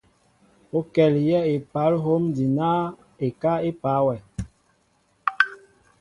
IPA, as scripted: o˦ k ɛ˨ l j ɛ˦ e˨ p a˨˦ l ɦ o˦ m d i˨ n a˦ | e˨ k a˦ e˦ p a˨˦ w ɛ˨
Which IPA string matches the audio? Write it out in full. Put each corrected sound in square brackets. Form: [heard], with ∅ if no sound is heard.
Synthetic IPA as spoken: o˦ k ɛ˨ l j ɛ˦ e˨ p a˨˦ l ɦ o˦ m d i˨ n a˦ | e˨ k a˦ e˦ p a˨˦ w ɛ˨